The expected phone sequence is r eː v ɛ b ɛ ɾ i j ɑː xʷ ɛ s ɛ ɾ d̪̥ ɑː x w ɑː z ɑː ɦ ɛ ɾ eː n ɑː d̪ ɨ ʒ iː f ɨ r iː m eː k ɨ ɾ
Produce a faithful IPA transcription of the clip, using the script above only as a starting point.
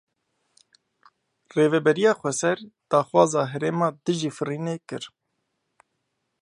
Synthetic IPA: r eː v ɛ b ɛ ɾ i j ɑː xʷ ɛ s ɛ ɾ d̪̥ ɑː x w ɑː z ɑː ɦ ɛ ɾ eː m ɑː d̪ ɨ ʒ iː f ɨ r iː n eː k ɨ ɾ

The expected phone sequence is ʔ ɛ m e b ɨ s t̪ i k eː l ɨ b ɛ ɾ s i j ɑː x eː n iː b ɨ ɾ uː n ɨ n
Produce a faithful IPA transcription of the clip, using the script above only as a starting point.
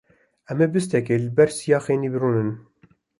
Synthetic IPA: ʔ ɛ m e b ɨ s t̪ ɛ k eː l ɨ b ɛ ɾ s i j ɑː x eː n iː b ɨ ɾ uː n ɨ n

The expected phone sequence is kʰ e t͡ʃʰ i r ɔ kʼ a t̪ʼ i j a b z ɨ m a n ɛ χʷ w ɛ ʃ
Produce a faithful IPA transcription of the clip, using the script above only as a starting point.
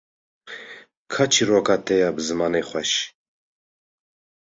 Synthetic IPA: kʰ a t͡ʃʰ i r ɔ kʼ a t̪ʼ ɛ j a b z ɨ m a n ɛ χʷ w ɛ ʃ

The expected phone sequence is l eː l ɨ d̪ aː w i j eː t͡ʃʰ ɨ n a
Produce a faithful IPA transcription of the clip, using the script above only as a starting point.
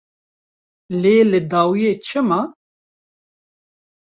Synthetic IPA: l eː l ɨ d̪ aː w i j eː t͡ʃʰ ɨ m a

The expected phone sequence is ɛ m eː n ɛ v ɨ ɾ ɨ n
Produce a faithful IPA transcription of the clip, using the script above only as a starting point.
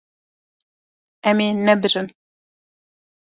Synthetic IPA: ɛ m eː n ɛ b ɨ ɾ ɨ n

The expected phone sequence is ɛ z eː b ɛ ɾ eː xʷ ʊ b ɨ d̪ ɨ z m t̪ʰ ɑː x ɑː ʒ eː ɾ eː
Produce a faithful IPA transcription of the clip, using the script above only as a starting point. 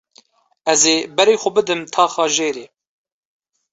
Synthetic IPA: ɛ z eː b ɛ ɾ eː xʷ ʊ b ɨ d̪ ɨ m t̪ʰ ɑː x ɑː ʒ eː ɾ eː

